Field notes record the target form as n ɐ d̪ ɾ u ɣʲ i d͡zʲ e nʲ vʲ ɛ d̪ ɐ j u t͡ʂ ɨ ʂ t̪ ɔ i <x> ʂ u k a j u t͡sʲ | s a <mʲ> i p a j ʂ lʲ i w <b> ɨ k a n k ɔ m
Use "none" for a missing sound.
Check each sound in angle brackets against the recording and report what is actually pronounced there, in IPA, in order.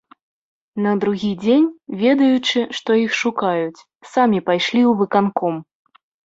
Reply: x, mʲ, v

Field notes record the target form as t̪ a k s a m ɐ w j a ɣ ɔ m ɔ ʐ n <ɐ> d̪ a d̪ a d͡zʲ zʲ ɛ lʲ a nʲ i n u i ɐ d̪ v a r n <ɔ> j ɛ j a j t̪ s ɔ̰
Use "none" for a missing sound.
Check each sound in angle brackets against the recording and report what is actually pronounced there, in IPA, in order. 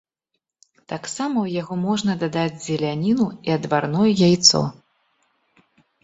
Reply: ɐ, ɔ

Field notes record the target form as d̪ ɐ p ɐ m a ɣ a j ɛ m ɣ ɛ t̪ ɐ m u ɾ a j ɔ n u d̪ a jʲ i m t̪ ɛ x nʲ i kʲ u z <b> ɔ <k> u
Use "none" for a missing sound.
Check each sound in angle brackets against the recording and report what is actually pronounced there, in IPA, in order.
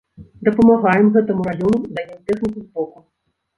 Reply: b, k

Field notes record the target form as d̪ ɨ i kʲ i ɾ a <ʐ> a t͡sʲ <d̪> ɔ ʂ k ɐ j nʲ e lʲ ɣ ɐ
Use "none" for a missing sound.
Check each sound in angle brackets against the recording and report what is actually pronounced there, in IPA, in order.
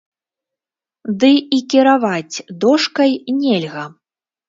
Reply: v, d̪

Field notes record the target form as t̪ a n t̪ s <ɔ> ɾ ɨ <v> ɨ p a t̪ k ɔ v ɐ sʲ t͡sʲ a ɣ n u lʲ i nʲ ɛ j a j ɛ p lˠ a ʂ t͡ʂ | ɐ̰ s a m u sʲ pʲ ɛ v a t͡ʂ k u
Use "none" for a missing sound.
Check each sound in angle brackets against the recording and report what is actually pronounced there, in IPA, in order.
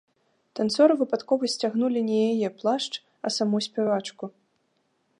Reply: ɔ, v

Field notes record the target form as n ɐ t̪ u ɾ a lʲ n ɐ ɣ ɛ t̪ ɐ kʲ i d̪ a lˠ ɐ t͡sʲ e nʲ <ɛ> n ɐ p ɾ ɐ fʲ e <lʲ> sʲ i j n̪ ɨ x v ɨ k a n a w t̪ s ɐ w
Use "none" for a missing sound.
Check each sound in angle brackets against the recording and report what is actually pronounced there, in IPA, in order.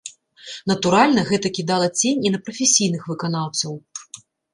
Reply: i, none

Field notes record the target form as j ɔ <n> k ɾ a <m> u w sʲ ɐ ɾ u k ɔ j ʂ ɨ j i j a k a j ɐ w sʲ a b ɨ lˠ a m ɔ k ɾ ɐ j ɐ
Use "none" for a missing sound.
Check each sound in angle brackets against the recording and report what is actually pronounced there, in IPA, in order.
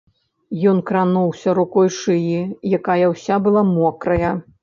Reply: n, n

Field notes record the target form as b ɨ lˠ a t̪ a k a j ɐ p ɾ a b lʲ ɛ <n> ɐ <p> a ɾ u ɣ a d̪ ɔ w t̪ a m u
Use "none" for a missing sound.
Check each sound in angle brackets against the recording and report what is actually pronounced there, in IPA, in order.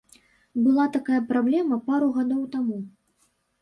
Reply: m, p

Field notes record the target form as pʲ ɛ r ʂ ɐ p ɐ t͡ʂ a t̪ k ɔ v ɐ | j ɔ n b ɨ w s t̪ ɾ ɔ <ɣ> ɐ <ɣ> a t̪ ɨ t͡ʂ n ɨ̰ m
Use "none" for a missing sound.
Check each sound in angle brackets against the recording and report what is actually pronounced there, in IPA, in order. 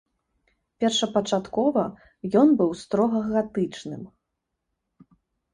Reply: ɣ, ɣ

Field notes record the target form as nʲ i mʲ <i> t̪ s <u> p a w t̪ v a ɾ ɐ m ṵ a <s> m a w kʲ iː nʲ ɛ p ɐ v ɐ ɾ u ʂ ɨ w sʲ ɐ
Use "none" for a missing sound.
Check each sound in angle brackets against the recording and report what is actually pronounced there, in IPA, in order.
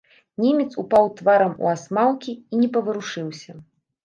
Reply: ɛ, u, s

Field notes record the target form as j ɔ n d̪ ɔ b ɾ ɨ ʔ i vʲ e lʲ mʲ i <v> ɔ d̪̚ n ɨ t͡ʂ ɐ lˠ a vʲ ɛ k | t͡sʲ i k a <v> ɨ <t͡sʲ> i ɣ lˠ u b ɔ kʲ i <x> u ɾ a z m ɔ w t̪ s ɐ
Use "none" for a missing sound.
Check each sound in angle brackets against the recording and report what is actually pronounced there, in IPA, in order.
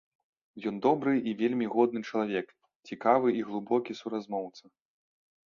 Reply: ɣ, v, none, s

